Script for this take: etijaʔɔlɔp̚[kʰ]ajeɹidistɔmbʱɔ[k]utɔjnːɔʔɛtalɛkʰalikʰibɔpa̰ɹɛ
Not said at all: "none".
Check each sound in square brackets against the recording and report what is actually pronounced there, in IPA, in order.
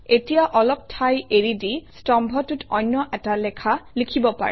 tʰ, t

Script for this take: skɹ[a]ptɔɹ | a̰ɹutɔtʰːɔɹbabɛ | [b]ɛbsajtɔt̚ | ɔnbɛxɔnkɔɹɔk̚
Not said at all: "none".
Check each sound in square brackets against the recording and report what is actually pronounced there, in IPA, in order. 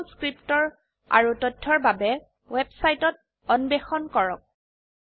i, w

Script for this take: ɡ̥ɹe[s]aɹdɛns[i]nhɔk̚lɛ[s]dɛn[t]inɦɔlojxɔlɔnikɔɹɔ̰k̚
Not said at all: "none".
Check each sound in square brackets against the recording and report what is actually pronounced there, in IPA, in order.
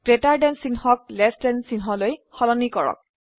t, i, s, s

